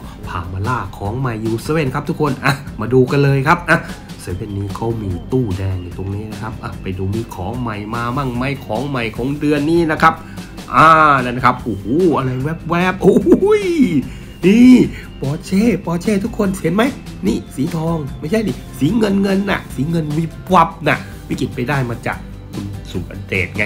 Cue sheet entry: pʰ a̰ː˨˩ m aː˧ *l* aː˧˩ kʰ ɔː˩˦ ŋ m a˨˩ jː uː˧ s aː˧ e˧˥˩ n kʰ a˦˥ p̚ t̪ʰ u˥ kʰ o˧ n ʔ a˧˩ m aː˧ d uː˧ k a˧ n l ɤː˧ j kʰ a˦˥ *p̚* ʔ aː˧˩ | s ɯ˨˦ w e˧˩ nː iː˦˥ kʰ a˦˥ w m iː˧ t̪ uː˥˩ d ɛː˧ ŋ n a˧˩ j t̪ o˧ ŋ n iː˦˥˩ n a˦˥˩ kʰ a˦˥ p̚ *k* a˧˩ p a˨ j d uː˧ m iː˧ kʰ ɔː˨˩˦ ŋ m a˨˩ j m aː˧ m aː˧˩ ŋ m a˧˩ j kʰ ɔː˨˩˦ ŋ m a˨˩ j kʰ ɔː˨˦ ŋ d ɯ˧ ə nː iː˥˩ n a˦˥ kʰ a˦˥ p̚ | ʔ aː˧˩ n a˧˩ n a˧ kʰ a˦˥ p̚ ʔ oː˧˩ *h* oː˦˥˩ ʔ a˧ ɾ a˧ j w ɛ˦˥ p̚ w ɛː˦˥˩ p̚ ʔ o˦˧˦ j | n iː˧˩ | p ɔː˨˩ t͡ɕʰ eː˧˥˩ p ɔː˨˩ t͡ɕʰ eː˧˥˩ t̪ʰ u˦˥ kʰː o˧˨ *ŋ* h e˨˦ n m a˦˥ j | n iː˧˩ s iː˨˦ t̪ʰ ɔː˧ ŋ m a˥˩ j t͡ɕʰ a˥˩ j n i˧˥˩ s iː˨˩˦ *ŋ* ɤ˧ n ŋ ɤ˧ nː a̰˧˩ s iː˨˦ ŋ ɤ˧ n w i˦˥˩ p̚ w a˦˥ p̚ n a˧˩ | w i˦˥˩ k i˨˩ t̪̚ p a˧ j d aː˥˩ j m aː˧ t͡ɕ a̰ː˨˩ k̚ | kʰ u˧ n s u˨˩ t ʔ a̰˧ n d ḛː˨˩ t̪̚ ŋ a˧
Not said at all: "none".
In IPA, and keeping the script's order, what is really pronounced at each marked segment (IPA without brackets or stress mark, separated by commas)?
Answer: l, p̚, ʔ, h, n, ŋ